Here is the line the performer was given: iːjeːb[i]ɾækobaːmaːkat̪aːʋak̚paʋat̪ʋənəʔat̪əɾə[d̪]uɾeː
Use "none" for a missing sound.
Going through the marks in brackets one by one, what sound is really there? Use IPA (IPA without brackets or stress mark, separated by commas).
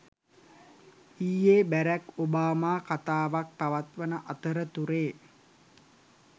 æ, t̪